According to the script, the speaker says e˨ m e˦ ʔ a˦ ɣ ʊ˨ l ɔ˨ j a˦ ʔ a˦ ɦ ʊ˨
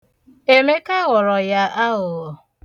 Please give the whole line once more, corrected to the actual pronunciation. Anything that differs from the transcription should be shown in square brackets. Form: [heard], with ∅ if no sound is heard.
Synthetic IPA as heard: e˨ m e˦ [k] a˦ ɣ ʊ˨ [ɾ] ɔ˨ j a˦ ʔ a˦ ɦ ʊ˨